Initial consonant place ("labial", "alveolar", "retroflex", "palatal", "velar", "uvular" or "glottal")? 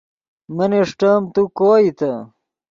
labial